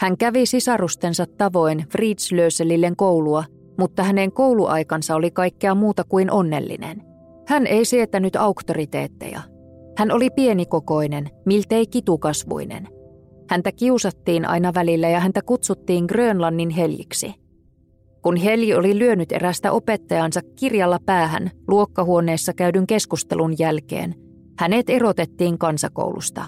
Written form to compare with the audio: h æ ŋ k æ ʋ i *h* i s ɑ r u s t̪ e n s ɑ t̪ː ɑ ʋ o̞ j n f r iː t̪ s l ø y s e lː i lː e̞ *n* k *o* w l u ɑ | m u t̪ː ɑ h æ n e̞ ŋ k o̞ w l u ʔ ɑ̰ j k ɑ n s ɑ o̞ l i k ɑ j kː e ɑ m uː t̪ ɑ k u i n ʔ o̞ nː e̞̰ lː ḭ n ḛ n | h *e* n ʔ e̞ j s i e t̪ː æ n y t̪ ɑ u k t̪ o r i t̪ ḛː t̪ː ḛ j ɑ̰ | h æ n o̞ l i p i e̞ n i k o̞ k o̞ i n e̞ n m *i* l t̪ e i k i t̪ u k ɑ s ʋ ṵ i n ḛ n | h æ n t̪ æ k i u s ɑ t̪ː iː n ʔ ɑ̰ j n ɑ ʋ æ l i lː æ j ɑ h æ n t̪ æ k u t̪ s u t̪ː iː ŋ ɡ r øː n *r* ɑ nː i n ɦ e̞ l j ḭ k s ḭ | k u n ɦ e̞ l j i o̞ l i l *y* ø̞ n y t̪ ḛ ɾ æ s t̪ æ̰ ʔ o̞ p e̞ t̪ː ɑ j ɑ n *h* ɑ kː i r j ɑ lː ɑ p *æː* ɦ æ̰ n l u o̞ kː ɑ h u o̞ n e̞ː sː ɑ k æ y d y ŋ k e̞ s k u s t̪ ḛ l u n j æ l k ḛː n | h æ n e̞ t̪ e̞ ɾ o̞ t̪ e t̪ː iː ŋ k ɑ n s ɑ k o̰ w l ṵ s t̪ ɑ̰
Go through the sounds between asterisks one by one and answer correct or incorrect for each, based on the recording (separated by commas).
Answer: incorrect, incorrect, correct, incorrect, correct, incorrect, correct, incorrect, correct